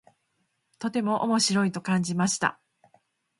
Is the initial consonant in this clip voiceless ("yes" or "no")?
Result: yes